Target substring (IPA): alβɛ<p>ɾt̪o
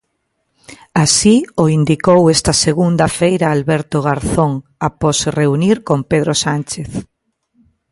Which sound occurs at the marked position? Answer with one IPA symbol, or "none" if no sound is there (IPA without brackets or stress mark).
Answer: none